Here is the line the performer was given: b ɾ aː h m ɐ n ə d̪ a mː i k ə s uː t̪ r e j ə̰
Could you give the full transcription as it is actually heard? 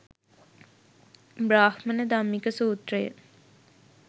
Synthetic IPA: b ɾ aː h m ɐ n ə d̪ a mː i k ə s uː t̪ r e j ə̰

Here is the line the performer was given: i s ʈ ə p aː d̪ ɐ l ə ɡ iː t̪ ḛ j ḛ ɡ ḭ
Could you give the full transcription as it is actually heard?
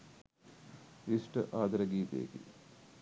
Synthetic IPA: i s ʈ ə ʔ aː d̪ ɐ ɾ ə ɡ iː t̪ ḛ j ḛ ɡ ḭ

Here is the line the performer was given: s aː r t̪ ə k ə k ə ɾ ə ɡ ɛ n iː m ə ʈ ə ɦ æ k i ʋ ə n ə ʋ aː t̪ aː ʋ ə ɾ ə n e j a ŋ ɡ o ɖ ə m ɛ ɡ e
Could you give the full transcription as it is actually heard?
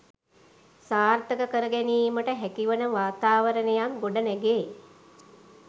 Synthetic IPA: s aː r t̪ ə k ə k ə ɾ ə ɡ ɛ n iː m ə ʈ ə ɦ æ k i ʋ ə n ə ʋ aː t̪ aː ʋ ə ɾ ə n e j a ŋ ɡ o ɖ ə n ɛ ɡ e

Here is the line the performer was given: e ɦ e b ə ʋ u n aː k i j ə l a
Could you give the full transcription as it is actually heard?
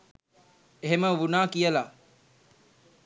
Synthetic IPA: e ɦ e m ə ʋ u n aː k i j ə l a

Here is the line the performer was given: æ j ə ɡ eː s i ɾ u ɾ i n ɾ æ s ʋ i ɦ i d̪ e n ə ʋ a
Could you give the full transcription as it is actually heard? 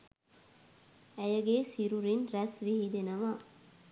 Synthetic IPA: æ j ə ɡ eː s i ɾ u ɾ i n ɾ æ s ʋ i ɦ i d̪ e n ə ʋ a

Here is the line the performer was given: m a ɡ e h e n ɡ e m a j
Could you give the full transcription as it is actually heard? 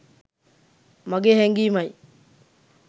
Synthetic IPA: m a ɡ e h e ŋ ɡ i m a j

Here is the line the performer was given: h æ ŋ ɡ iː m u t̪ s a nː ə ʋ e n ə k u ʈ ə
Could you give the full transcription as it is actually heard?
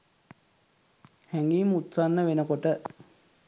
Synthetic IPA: h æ ŋ ɡ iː m u t̪ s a nː ə ʋ e n ə k o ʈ ə

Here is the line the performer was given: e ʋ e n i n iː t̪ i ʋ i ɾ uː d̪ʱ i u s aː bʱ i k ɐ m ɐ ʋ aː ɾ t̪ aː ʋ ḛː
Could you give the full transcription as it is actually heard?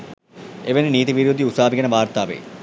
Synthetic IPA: e ʋ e n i n iː t̪ i ʋ i ɾ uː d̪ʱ i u s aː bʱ i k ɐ n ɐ ʋ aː ɾ t̪ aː ʋ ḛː

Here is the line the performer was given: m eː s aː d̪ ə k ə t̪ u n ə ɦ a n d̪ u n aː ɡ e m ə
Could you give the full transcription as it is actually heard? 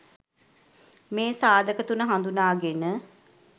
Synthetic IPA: m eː s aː d̪ ə k ə t̪ u n ə ɦ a n d̪ u n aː ɡ e n ə

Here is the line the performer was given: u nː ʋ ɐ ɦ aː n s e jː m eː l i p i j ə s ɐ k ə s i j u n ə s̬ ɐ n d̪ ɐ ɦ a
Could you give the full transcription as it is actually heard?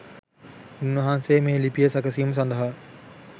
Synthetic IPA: u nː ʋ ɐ ɦ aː n s e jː m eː l i p i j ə s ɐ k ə s i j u m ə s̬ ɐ n d̪ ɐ ɦ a

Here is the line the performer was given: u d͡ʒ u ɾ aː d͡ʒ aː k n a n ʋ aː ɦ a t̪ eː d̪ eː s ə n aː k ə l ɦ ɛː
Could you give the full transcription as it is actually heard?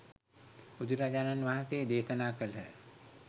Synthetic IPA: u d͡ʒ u ɾ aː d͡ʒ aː n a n ʋ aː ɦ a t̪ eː d̪ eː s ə n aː k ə l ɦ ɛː

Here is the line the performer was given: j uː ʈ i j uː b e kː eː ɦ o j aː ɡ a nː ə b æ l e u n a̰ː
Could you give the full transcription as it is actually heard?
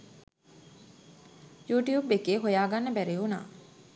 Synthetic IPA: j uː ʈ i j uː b e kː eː ɦ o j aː ɡ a nː ə b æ ɾ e u n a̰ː

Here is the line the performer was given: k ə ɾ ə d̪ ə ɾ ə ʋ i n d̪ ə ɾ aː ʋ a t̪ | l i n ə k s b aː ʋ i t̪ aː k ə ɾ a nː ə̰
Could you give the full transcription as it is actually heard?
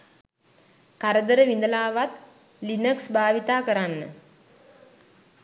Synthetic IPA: k a ɾ ə d̪ ə ɾ ə ʋ i n d̪ ə l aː ʋ a t̪ | l i n ə k s b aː ʋ i t̪ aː k ə ɾ a nː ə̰

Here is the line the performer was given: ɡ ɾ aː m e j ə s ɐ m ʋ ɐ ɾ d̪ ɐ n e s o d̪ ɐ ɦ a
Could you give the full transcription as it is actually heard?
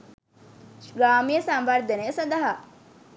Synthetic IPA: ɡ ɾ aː m i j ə s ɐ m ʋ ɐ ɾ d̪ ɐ n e s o d̪ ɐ ɦ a

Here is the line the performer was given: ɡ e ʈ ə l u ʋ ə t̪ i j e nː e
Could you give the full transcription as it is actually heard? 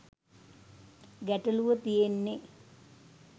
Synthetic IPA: ɡ æ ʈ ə l u ʋ ə t̪ i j e nː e

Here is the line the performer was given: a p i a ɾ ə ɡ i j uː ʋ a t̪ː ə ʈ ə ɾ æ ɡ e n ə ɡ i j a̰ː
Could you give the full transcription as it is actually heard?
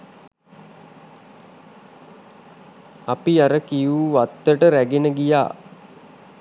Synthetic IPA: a p i a ɾ ə k i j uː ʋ a t̪ː ə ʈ ə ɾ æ ɡ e n ə ɡ i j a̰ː

